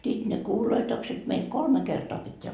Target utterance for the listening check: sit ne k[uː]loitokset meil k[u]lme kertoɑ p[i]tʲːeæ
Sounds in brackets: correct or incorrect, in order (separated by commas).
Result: correct, incorrect, correct